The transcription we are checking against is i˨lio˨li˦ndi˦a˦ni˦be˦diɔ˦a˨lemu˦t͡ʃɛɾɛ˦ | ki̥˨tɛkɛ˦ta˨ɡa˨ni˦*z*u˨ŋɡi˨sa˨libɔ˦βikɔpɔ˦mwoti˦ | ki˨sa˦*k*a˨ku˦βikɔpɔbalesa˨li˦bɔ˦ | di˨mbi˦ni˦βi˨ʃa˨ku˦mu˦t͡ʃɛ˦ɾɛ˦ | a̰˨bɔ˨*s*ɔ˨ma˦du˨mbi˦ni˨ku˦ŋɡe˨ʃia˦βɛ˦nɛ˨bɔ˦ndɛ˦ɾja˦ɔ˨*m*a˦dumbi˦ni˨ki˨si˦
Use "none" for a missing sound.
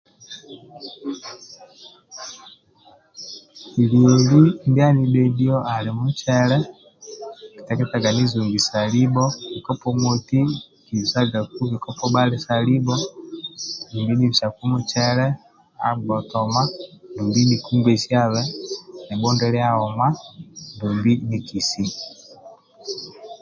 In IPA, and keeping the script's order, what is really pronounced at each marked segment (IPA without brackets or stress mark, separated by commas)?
z, ɡ, t, m